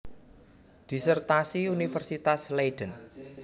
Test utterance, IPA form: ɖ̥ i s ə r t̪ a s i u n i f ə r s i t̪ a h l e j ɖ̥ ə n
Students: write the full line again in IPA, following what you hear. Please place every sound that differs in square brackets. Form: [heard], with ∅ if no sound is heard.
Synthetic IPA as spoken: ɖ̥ i s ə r t̪ a s i u n i f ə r s i t̪ a [s] l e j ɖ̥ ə n

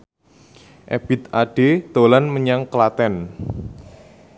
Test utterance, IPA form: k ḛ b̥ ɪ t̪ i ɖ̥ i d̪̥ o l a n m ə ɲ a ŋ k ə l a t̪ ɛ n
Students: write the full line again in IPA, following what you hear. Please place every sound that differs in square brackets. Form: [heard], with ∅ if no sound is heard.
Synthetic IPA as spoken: [ʔ] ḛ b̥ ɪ t̪ [a] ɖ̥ [e] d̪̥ o l a n m ə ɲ a ŋ k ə l a t̪ ɛ n

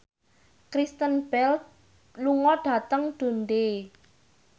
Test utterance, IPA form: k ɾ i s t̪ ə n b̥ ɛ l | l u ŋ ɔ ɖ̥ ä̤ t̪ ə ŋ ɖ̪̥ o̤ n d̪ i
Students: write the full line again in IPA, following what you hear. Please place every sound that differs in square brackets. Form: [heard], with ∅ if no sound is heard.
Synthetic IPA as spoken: k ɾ i s t̪ ə n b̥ ɛ l | l u ŋ ɔ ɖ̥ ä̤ t̪ ə ŋ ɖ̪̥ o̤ n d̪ [e]

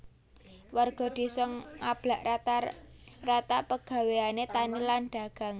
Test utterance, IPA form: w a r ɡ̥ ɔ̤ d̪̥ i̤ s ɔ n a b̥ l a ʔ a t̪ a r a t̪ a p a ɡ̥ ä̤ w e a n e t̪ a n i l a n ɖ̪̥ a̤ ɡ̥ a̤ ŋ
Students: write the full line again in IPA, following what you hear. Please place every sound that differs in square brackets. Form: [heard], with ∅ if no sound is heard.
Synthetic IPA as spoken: w a r ɡ̥ ɔ̤ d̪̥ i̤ s ɔ [ŋ] a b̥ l a ʔ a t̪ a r a t̪ a p [ə] ɡ̥ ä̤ w e a n e t̪ a n i l a n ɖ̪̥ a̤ ɡ̥ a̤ ŋ

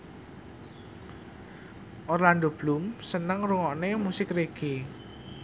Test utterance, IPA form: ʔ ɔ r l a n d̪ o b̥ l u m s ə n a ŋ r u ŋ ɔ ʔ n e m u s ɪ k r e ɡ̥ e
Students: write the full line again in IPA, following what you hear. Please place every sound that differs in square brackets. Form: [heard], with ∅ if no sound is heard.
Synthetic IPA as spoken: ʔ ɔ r l a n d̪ o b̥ l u m s ə n [ə] ŋ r u ŋ ɔ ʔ n e m u s ɪ k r e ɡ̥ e

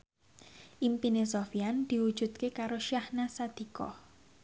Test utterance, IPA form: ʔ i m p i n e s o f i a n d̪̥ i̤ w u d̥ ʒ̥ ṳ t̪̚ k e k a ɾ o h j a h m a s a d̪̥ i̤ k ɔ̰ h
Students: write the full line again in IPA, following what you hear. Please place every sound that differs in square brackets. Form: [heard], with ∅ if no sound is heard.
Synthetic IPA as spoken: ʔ i m p i n e s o f i a n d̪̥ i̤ w u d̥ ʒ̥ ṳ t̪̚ k e k a ɾ o [ʃ] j a h [n] a s a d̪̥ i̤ k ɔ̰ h

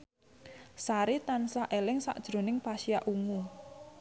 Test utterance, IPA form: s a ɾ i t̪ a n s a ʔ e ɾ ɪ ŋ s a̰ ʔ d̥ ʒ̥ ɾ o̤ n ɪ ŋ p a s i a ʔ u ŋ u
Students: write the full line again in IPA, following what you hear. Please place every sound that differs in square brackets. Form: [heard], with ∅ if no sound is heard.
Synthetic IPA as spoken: s a ɾ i t̪ a n s a ʔ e [l] ɪ ŋ s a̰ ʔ d̥ ʒ̥ ɾ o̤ n ɪ ŋ p a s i a ʔ u ŋ u

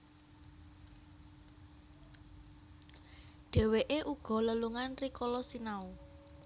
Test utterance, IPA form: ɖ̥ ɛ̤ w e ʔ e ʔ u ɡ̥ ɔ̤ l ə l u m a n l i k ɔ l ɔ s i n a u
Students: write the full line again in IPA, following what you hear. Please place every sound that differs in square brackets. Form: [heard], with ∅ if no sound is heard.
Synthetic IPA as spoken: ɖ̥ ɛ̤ w e ʔ e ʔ u ɡ̥ ɔ̤ l ə l u [ŋ] a n [r] i k ɔ l ɔ s i n a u

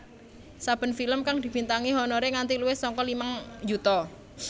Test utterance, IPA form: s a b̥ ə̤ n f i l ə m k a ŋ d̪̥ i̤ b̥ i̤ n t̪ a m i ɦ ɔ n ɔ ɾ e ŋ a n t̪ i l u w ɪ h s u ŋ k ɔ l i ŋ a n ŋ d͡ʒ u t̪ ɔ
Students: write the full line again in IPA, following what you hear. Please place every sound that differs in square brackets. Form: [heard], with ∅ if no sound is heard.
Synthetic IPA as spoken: s a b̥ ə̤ n f i l ə m k a ŋ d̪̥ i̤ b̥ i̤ n t̪ a [ŋ] i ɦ ɔ n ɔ ɾ e ŋ a n t̪ i l u w ɪ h s [ɔ] ŋ k ɔ l i [m] a [∅] ŋ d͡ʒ u t̪ ɔ

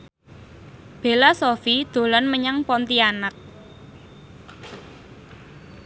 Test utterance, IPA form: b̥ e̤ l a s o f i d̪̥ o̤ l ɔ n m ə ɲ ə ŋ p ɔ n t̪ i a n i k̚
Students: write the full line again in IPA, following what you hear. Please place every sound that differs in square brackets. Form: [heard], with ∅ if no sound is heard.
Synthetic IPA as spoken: b̥ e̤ l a s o f i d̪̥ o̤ l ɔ n m ə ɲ [a] ŋ p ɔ n t̪ i a n [a] k̚

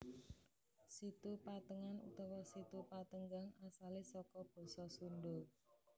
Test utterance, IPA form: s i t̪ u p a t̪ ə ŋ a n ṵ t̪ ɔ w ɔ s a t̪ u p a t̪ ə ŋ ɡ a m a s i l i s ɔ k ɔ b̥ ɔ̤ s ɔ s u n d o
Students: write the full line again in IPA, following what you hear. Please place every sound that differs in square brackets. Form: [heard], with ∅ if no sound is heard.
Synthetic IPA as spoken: s i t̪ u p a t̪ ə ŋ a n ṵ t̪ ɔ w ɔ s [i] t̪ u p a t̪ ə ŋ ɡ a [ŋ] a s [a] l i s ɔ k ɔ b̥ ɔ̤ s ɔ s u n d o

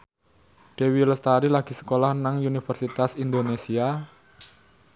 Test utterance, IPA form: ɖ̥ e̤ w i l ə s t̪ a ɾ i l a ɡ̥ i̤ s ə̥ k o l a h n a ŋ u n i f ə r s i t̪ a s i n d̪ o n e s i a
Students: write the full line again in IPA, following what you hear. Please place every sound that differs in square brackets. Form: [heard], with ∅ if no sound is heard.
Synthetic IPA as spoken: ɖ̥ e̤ w i l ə s t̪ a ɾ i l a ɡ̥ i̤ s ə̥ k o l a h n a ŋ u n i f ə r s i t̪ a s i n d̪ o n e s i a

